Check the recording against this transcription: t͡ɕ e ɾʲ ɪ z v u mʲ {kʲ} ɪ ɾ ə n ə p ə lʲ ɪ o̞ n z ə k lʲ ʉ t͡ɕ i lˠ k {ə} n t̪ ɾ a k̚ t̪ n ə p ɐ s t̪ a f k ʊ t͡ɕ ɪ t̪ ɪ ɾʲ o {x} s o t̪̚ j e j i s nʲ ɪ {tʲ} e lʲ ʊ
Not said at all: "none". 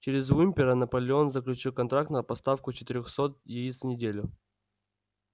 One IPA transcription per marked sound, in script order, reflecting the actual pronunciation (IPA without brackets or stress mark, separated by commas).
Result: pʲ, ɐ, x, dʲ